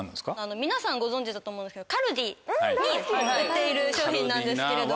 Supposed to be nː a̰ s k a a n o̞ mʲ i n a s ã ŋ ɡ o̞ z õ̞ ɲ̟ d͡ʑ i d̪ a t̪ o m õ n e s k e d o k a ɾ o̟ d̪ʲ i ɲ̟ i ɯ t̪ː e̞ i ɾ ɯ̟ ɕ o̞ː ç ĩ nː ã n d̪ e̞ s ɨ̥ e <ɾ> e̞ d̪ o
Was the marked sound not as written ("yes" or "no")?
no